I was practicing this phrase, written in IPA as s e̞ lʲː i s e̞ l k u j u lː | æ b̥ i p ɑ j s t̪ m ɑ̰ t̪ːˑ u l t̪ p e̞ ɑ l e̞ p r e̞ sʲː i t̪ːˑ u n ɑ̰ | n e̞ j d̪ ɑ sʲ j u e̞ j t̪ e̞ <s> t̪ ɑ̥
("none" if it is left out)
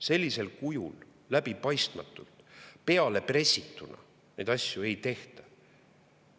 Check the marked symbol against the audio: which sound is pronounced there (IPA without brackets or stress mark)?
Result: h